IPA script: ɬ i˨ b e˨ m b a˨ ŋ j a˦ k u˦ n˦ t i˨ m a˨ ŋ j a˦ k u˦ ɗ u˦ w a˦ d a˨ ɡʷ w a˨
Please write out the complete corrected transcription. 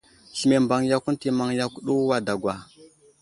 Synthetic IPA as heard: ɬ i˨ m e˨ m b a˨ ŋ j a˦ k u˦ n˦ t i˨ m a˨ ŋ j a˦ k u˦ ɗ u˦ w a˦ d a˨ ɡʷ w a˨